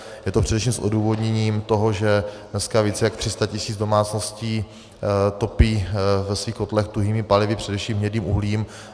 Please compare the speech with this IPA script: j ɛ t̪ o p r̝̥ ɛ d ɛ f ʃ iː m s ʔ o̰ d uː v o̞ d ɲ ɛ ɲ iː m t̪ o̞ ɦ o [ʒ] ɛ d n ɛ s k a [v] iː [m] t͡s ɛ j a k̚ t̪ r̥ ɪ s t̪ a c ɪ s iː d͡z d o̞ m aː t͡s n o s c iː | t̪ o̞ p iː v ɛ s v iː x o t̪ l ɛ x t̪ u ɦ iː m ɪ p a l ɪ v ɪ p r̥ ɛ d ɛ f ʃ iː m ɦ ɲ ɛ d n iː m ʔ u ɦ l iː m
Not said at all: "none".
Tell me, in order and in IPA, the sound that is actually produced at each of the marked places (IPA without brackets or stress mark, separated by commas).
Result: ʒ, v, none